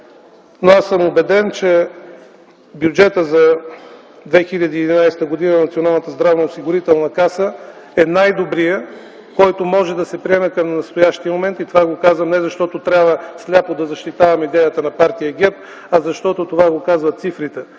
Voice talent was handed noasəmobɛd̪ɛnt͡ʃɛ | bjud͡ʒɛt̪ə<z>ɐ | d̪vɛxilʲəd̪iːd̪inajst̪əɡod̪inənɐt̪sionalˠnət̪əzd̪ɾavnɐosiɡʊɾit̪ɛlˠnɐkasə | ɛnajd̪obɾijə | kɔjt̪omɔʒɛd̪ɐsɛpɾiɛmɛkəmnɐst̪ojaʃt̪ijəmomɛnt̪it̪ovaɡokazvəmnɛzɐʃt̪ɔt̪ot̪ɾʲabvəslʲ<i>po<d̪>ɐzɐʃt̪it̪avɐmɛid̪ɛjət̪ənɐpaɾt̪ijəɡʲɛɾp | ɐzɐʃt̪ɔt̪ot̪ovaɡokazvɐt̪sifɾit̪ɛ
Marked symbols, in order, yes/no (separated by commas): yes, no, yes